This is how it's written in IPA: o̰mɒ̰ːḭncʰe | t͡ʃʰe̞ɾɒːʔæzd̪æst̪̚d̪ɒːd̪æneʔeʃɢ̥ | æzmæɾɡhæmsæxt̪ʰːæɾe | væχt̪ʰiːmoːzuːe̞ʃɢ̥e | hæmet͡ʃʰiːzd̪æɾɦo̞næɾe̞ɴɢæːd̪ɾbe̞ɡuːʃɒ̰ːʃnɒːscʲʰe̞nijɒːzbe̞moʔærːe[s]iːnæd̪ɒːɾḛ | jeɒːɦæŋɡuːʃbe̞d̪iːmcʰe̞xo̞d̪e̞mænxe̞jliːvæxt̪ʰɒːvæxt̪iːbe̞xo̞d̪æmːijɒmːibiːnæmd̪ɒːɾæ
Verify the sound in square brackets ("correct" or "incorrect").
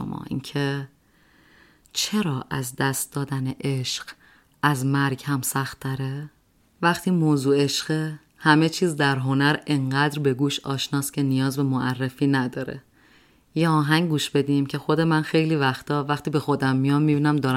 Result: incorrect